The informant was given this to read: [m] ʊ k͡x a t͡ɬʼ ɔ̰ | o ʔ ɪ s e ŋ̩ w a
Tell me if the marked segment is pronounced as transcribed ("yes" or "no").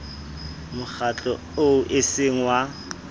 yes